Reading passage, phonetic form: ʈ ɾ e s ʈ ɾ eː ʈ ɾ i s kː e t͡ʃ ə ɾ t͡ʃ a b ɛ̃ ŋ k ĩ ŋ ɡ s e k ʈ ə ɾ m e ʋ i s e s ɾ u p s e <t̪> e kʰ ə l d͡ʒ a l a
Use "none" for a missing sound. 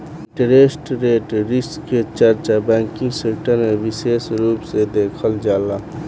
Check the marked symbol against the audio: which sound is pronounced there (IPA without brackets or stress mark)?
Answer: d̪